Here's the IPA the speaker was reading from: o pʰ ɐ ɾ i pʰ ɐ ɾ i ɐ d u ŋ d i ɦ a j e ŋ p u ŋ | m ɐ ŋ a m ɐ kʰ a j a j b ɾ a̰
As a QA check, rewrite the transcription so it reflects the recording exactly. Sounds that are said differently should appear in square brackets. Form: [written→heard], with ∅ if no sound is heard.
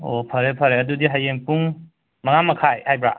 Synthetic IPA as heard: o pʰ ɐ ɾ [i→e] pʰ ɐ ɾ [i→e] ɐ d u [ŋ→∅] d i ɦ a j e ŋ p u ŋ | m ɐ ŋ a m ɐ kʰ a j a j b ɾ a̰